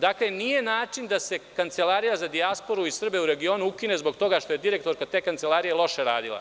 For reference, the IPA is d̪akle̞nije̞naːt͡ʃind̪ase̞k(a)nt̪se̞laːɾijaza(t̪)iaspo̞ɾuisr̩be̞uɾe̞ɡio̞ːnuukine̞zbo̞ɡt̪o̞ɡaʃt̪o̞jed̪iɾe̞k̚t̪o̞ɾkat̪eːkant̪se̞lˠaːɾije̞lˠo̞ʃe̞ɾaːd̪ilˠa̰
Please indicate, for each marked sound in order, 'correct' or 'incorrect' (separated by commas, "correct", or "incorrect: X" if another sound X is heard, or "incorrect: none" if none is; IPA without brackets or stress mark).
correct, incorrect: d̪